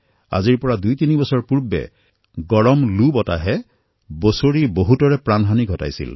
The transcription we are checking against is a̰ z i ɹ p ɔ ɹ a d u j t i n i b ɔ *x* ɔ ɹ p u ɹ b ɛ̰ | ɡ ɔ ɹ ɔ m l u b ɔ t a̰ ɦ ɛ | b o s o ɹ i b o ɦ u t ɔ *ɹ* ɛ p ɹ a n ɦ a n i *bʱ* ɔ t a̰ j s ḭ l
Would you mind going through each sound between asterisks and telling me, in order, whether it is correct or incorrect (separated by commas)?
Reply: incorrect, correct, incorrect